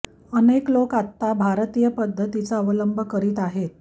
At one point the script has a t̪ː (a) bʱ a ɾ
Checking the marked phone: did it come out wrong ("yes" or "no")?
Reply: no